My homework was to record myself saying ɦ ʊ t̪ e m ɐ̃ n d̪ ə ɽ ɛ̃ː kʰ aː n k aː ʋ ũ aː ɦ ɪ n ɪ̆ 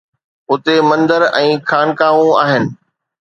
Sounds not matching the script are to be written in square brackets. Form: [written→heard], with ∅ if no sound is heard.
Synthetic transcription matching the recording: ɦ ʊ t̪ e m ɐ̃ n d̪ ə [ɽ→ɾ] ɛ̃ː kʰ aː n k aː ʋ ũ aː ɦ ɪ n ɪ̆